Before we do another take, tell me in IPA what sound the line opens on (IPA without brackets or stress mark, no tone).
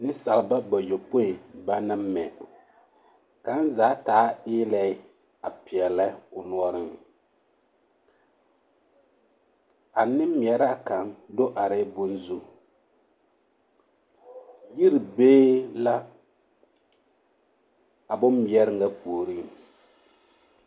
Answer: n